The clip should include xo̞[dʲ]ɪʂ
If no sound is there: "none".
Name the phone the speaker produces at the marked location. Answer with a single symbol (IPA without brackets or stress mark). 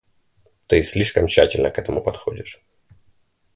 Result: dʲ